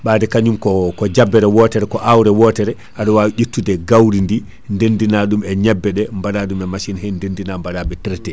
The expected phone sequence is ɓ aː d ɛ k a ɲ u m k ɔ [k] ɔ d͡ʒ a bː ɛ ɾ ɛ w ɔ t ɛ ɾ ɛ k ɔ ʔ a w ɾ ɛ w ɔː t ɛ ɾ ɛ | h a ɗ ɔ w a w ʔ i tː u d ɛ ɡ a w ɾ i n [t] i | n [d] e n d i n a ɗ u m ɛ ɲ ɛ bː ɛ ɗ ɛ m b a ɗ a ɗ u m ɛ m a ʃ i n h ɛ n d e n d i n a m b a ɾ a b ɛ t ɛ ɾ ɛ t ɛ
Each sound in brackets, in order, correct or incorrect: correct, incorrect: d, correct

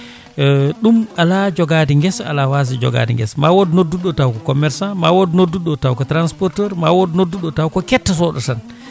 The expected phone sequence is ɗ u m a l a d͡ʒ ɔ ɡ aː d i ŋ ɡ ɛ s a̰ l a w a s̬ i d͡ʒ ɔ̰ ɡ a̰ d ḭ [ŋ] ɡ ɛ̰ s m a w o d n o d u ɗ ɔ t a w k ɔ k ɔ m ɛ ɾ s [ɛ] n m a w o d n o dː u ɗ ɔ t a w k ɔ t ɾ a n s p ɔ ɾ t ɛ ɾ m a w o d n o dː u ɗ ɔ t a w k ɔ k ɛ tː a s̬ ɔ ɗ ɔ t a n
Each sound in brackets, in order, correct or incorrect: correct, incorrect: a

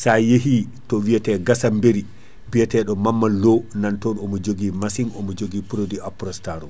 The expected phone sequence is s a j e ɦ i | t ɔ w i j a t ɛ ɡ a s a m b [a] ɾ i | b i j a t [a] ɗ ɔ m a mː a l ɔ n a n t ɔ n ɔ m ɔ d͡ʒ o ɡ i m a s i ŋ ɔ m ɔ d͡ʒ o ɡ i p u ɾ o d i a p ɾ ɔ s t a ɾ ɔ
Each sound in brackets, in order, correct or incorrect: incorrect: e, incorrect: ɛ

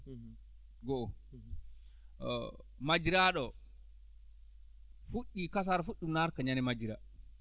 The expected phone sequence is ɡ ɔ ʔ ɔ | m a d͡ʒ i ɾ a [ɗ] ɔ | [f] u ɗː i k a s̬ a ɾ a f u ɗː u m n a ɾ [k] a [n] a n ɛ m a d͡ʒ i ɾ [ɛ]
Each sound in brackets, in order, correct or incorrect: correct, correct, correct, incorrect: ɲ, incorrect: a

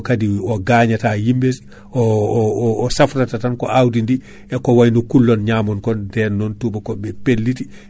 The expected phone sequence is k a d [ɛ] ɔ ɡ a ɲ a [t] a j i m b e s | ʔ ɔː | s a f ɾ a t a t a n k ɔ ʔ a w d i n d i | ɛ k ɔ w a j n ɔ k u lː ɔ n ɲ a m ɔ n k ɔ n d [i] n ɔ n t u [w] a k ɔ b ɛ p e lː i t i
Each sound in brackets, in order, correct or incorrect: incorrect: i, correct, incorrect: ɛ, incorrect: b

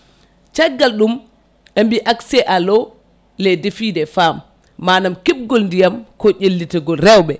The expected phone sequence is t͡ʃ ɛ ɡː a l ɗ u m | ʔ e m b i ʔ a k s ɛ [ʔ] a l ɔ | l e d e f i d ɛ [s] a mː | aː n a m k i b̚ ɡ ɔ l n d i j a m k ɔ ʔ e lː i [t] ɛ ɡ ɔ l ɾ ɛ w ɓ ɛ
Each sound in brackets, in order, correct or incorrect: correct, incorrect: f, correct

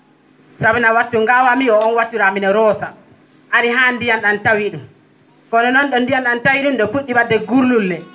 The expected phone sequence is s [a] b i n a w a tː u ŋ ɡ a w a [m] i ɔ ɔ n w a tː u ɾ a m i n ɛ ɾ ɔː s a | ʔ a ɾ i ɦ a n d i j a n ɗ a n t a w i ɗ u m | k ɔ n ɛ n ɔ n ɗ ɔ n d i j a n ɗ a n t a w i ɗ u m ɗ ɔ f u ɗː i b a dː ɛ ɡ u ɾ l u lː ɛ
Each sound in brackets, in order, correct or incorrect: correct, correct

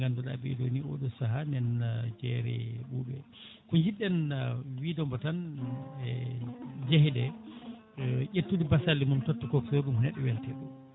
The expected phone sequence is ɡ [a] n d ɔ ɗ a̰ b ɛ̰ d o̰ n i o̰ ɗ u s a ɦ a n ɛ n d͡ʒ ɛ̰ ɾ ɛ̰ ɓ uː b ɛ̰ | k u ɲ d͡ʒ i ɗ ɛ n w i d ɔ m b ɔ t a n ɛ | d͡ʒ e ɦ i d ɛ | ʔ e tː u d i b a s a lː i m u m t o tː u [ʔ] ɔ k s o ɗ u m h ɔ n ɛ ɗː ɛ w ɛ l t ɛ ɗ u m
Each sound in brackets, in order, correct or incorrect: correct, incorrect: k

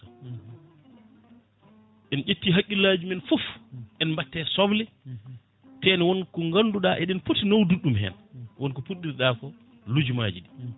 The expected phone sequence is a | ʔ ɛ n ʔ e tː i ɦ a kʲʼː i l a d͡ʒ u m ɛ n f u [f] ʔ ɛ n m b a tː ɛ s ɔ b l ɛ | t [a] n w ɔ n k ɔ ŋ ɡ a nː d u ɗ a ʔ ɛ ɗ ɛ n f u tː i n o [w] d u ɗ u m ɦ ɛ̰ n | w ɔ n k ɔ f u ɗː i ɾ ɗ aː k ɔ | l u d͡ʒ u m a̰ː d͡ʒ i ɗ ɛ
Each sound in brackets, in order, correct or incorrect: correct, incorrect: ɛ, correct

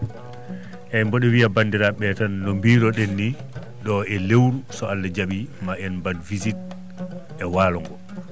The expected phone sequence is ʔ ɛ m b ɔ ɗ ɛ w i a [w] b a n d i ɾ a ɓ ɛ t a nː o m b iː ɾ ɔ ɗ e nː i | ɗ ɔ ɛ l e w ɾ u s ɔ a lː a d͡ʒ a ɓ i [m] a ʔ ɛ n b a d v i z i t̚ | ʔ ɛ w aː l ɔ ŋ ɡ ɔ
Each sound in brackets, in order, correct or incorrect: incorrect: none, correct

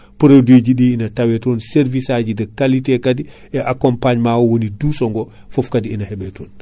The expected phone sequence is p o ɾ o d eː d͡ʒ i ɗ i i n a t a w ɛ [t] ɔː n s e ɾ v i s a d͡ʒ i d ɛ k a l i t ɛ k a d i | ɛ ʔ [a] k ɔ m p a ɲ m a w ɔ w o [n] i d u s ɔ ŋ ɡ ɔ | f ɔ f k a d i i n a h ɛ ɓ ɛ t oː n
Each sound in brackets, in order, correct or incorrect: correct, correct, correct

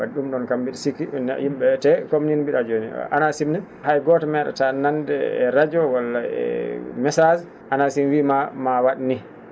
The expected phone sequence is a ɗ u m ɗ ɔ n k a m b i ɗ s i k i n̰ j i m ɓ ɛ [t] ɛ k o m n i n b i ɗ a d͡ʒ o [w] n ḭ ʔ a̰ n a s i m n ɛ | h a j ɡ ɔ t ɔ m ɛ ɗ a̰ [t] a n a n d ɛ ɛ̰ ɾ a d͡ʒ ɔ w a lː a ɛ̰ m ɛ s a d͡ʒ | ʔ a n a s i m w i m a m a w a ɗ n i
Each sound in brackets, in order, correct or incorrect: correct, incorrect: none, correct

